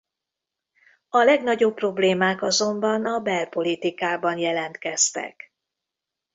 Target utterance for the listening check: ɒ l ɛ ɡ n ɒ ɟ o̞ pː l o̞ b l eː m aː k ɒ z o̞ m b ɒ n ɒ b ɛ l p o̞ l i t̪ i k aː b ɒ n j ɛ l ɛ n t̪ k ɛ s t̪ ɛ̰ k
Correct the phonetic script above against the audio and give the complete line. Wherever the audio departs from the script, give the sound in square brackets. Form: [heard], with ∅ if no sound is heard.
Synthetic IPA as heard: ɒ l ɛ ɡ n ɒ ɟ o̞ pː [r] o̞ b l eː m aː k ɒ z o̞ m b ɒ n ɒ b ɛ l p o̞ l i t̪ i k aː b ɒ n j ɛ l ɛ n t̪ k ɛ s t̪ ɛ̰ k